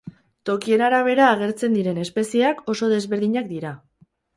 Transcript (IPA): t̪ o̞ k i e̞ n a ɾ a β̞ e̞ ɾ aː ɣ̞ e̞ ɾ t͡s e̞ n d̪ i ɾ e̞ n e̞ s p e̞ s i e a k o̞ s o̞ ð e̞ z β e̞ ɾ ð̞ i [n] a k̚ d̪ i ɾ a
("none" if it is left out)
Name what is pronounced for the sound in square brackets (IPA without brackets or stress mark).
ɲ